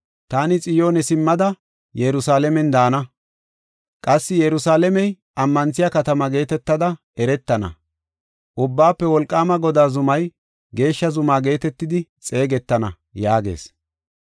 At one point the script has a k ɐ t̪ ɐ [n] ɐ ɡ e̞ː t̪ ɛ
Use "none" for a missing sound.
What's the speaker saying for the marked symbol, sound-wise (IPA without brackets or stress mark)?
m